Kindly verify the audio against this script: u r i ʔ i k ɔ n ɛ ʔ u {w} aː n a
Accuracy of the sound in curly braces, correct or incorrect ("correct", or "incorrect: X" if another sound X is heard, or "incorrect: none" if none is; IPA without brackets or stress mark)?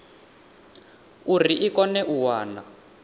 correct